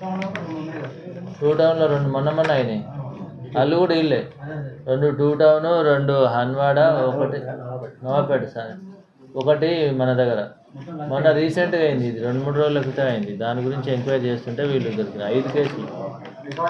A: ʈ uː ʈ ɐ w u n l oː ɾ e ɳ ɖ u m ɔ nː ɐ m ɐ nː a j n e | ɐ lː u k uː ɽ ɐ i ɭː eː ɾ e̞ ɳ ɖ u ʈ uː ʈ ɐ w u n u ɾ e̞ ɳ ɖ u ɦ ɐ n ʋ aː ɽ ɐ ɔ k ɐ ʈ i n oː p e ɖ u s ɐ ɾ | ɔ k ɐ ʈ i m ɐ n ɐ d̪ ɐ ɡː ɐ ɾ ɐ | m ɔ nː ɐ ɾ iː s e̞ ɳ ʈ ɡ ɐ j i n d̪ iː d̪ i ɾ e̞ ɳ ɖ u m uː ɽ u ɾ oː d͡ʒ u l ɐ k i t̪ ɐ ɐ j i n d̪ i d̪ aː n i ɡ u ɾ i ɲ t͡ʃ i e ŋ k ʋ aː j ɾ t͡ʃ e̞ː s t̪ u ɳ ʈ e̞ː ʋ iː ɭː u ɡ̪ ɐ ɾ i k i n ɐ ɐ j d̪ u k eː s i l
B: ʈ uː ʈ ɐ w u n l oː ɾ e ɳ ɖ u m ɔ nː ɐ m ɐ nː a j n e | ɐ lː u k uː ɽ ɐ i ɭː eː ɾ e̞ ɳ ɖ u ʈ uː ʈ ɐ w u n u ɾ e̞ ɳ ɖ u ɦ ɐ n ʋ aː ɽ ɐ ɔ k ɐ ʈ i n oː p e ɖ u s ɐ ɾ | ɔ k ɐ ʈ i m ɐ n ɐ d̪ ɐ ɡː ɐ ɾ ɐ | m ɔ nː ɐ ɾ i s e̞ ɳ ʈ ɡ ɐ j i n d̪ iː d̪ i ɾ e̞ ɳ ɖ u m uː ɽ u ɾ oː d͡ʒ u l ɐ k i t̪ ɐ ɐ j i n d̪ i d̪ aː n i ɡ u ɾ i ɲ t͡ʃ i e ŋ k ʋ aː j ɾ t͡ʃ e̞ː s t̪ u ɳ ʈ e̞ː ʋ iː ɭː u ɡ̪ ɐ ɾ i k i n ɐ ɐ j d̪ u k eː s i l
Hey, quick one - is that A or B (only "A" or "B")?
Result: A